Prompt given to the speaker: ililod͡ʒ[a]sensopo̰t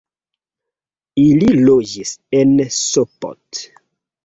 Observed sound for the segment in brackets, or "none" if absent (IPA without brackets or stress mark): i